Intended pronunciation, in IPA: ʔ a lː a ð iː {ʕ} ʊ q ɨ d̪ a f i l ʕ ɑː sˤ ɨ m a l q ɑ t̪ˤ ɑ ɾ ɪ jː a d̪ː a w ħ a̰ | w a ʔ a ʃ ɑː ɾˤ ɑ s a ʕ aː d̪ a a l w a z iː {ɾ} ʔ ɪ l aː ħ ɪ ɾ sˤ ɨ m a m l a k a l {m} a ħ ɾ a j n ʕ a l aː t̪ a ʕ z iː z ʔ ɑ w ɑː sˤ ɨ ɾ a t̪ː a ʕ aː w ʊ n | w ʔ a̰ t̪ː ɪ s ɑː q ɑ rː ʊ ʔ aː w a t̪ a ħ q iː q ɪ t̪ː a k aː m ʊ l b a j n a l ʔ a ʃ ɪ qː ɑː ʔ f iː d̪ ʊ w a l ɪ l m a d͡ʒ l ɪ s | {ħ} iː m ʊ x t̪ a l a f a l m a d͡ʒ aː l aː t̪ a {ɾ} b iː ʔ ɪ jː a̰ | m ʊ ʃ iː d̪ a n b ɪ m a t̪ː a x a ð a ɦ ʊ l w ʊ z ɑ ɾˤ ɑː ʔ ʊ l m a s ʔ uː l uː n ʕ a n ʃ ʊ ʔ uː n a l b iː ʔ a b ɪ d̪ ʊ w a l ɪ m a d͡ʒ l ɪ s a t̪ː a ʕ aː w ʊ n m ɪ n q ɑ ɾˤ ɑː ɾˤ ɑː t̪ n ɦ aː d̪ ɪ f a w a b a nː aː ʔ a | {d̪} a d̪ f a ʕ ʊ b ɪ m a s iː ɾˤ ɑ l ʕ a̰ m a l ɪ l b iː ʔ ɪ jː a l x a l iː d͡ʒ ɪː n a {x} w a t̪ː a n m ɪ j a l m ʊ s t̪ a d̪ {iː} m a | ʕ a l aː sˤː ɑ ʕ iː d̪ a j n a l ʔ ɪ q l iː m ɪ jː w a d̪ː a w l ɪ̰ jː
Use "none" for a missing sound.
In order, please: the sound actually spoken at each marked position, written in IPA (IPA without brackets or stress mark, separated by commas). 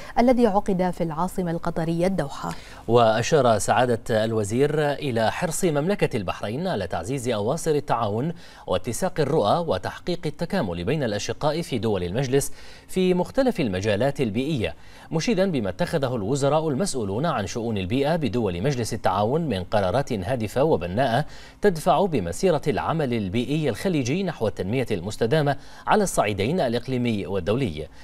ʕ, ɾ, b, f, l, t̪, ħ, aː